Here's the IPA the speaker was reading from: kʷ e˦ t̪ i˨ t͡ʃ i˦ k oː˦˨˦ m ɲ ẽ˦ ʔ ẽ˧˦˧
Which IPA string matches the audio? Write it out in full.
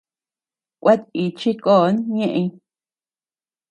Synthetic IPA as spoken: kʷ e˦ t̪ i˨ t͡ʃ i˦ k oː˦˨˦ n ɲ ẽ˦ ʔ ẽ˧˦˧